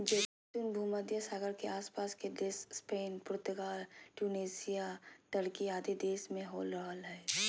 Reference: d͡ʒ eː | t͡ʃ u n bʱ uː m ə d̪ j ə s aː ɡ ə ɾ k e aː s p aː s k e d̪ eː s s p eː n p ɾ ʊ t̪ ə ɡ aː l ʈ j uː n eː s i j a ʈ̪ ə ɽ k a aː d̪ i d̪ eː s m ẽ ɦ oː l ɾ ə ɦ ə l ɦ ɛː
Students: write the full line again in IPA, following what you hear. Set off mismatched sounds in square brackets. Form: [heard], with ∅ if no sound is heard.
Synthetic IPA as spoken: d͡ʒ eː | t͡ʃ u n bʱ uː m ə d̪ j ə s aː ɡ ə ɾ k e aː s p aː s k e d̪ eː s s p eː n p ɾ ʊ t̪ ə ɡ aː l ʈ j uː n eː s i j a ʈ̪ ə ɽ k [i] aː d̪ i d̪ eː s m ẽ ɦ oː l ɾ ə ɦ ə l ɦ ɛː